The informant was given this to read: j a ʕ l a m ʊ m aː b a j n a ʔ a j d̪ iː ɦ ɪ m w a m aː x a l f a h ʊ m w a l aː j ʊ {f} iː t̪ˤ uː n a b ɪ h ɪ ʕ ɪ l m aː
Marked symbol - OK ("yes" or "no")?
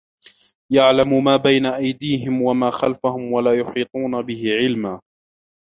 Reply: no